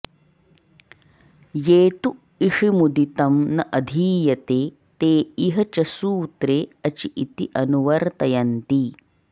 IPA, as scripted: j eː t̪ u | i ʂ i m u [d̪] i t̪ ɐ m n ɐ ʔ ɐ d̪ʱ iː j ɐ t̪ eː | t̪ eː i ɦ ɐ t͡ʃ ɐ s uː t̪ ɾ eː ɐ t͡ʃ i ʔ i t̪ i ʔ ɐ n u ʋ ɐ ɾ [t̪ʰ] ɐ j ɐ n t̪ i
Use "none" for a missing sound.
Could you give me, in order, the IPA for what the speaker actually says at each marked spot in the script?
d̪, t̪

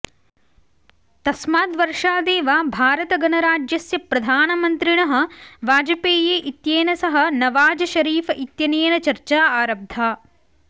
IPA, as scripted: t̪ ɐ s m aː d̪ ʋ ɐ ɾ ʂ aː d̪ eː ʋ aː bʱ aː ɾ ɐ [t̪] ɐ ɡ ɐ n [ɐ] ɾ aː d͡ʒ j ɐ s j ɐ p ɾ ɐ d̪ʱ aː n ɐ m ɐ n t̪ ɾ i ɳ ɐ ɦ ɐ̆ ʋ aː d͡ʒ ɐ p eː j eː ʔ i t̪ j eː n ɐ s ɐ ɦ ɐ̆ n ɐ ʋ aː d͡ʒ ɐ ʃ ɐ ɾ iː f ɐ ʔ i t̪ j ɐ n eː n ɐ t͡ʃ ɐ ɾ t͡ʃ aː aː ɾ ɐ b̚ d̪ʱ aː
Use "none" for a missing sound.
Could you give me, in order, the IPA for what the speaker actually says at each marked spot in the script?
t̪, ɐ

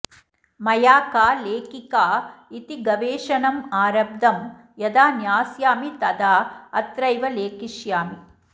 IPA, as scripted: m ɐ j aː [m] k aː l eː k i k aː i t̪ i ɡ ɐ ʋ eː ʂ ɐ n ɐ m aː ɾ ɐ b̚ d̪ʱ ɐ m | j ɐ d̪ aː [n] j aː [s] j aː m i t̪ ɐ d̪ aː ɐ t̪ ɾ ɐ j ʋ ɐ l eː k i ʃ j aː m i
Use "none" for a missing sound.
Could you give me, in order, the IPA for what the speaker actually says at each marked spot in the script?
none, n, s

